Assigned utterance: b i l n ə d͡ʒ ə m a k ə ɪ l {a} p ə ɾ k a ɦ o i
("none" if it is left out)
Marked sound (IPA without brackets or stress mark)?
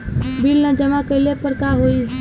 e